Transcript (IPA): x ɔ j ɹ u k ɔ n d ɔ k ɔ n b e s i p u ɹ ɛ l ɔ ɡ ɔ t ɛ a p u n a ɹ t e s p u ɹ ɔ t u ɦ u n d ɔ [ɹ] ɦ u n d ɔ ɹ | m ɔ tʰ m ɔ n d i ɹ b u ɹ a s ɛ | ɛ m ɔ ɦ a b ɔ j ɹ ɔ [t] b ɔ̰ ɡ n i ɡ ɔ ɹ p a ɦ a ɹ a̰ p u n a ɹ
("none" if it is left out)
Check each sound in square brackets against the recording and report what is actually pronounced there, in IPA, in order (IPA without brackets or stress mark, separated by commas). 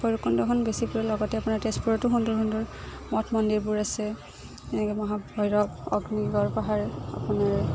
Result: ɹ, none